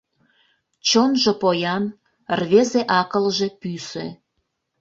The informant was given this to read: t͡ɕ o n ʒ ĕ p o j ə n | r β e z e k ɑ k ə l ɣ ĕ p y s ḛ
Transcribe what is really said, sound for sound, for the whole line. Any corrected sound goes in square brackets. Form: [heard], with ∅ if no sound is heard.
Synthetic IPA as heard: t͡ɕ o n ʒ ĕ p o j [ɑ] n | r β e z e [ʔ] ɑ k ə l [ʒ] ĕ p y s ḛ